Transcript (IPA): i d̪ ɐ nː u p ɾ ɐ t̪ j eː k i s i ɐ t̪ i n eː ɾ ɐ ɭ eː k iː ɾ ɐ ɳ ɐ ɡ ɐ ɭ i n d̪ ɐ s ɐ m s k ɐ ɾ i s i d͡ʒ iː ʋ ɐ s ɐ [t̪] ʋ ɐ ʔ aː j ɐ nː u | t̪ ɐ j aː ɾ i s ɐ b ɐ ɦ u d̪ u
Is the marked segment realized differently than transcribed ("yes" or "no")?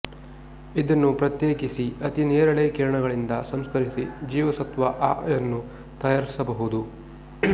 no